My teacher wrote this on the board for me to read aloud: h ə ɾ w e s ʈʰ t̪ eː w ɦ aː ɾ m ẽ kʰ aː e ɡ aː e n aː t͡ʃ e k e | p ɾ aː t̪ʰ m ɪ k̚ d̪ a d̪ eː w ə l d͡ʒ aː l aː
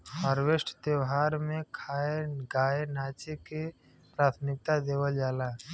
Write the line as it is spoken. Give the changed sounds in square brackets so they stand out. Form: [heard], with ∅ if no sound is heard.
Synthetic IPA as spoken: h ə ɾ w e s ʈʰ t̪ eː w ɦ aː ɾ m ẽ kʰ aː e ɡ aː e n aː t͡ʃ e k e | p ɾ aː t̪ʰ m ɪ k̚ [t̪] a d̪ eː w ə l d͡ʒ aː l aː

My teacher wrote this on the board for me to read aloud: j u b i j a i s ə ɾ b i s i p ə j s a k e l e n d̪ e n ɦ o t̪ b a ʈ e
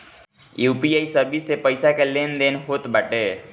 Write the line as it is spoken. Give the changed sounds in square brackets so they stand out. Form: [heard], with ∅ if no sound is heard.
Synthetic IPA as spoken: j u [p] i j a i s ə ɾ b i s [e] p ə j s a k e l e n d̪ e n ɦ o t̪ b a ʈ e

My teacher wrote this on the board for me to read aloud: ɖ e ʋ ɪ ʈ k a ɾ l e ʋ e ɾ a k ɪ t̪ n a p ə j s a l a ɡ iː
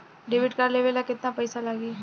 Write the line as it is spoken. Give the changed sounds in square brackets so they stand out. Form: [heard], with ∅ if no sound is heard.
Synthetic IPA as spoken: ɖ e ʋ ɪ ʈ k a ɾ l e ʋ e [l] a k ɪ t̪ n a p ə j s a l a ɡ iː

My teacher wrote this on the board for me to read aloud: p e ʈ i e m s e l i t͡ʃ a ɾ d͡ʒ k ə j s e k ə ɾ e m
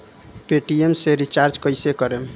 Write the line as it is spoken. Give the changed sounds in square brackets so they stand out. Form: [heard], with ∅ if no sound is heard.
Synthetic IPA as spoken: p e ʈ i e m s e [ɾ] i t͡ʃ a ɾ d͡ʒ k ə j s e k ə ɾ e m

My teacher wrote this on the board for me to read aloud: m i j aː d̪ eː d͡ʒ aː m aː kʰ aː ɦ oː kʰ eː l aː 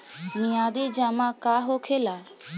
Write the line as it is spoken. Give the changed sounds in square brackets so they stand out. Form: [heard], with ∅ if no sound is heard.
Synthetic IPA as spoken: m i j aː d̪ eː d͡ʒ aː m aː [k] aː ɦ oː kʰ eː l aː

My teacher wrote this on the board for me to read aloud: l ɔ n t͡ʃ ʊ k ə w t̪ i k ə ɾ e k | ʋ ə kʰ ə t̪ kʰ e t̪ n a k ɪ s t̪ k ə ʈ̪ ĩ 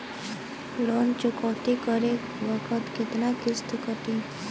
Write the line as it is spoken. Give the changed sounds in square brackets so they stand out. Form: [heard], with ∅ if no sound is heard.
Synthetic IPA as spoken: l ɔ n t͡ʃ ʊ k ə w t̪ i k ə ɾ e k | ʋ ə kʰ ə t̪ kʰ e t̪ n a k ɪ s t̪ k ə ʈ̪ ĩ

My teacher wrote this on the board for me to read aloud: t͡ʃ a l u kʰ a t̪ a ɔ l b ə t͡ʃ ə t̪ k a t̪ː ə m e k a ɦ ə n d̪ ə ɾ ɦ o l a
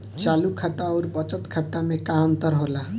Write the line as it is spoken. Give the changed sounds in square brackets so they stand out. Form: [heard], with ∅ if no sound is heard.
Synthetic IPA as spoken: t͡ʃ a l u kʰ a t̪ a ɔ [ɾ] b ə t͡ʃ ə t̪ [kʰ] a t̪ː [a] m e k a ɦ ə n [t̪] ə ɾ ɦ o l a

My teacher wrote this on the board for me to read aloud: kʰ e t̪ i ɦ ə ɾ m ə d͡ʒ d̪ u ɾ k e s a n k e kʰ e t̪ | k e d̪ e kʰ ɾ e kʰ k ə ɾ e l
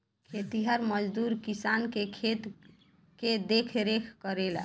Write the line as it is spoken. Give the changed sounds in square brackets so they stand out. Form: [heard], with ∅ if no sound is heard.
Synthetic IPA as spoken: kʰ e t̪ i ɦ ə ɾ m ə d͡ʒ d̪ u ɾ k [i] s a n k e kʰ e t̪ | k e d̪ e kʰ ɾ e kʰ k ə ɾ e l

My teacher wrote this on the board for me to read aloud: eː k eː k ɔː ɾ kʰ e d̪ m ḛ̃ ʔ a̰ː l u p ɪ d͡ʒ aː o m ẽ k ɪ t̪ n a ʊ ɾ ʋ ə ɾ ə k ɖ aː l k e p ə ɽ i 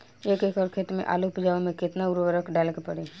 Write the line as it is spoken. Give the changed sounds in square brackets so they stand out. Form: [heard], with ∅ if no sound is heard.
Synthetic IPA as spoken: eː k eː k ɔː ɾ kʰ e [t̪] m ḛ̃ ʔ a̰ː l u p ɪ d͡ʒ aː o m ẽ k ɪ t̪ n a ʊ ɾ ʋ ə ɾ ə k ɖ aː l k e p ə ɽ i

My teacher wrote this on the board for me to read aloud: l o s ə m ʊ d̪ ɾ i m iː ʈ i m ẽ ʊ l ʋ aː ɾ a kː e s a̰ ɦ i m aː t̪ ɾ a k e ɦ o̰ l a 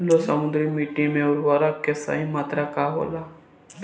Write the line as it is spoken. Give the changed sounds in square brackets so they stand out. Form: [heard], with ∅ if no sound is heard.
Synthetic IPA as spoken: l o s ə m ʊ d̪ ɾ i m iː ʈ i m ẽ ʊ [ɾ] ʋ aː ɾ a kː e s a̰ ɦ i m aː t̪ ɾ a k [a] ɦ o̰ l a

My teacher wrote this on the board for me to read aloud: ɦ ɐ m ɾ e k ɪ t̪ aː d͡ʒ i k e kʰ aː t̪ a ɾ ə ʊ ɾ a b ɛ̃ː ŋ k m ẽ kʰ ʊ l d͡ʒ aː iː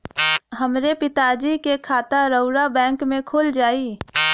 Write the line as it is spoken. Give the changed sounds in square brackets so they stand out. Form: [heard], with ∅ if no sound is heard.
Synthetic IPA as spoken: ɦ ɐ m ɾ e [p] ɪ t̪ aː d͡ʒ i k e kʰ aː t̪ a ɾ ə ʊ ɾ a b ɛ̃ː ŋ k m ẽ kʰ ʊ l d͡ʒ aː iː

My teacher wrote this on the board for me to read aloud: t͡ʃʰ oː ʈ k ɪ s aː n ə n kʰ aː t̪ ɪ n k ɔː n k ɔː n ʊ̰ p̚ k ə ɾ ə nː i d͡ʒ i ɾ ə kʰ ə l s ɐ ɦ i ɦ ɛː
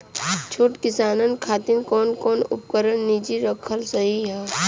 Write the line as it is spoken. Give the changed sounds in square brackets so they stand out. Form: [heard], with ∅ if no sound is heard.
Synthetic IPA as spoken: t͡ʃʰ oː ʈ k ɪ s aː n ə n kʰ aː t̪ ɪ n k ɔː n k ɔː n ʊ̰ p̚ k ə ɾ ə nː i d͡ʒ i ɾ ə kʰ ə l s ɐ ɦ i ɦ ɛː

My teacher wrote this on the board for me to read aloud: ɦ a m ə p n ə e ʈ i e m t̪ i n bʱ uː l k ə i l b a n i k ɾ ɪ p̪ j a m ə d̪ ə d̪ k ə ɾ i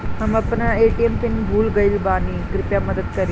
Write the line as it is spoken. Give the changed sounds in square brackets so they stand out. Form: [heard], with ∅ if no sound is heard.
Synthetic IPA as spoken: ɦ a m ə p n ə e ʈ i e m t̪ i n bʱ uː l [ɡ] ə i l b a n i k ɾ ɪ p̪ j a m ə d̪ ə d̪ k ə ɾ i

